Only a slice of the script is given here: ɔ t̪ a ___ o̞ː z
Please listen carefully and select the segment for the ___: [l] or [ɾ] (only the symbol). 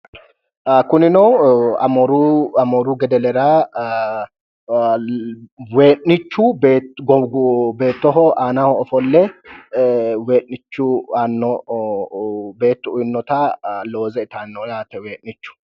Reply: l